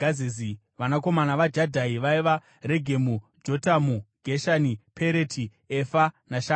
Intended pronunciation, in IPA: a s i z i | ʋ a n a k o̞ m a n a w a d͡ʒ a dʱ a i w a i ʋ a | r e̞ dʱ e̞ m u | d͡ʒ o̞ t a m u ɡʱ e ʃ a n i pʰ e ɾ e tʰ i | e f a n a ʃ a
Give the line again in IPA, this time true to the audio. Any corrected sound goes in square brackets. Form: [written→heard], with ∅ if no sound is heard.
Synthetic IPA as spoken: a [s→z] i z i | ʋ a n a k o̞ m a n a [w→ʋ] a d͡ʒ a dʱ a i [w→ʋ] a i ʋ a | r e̞ [dʱ→ɡʱ] e̞ m u | d͡ʒ o̞ t a m u ɡʱ e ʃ a n i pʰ e ɾ e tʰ i | e f a n a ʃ a